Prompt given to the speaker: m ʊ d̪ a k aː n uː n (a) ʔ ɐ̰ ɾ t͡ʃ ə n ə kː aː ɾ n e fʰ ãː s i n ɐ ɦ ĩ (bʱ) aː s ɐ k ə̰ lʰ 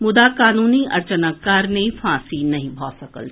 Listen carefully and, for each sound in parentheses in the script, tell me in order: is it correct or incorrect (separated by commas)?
incorrect, correct